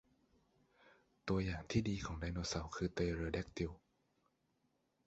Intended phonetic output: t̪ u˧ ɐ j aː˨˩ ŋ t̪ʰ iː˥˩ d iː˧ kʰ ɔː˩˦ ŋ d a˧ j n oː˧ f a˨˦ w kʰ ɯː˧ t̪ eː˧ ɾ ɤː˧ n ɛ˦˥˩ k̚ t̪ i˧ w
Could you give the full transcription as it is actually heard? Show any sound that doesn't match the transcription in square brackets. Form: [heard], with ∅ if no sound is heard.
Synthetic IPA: t̪ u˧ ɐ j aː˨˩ ŋ t̪ʰ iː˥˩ d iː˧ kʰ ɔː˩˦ ŋ d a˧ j n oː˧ [s] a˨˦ w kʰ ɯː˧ t̪ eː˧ ɾ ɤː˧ [d] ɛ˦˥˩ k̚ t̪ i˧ w